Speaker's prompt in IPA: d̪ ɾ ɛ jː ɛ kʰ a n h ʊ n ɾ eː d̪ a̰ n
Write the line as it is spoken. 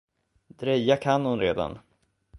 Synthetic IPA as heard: d̪ ɾ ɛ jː a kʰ a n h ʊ n ɾ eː d̪ a̰ n

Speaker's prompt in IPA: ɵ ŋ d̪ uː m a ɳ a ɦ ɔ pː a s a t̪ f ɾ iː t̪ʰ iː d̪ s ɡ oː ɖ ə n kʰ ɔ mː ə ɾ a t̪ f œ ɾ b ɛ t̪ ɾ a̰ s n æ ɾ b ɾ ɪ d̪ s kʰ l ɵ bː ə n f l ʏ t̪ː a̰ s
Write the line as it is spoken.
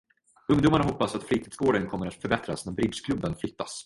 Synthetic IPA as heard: ɵ ŋ d̪ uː m a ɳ a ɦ ɔ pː a s a t̪ f ɾ iː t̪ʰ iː d̪ s ɡ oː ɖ ə n kʰ ɔ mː ə ɾ a t̪ f œ ɾ b ɛ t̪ ɾ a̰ s n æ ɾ b ɾ ɪ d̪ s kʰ l ɵ bː ə n f l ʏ t̪ː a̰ s

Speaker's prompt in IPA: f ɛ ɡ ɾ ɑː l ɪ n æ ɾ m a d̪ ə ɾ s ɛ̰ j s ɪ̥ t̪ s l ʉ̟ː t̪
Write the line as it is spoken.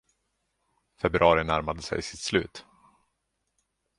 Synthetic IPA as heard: f ɛ b ɾ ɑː ɾ ɪ n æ ɾ m a d̪ ə s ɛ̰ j s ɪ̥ t̪ s l ʉ̟ː t̪

